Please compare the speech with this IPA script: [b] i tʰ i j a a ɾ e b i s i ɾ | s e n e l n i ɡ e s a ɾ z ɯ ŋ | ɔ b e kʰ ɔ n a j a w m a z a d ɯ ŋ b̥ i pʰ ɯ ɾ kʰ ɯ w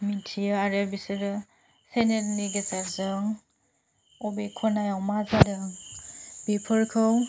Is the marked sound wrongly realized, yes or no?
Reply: yes